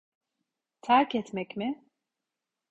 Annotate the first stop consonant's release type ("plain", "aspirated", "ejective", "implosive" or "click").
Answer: aspirated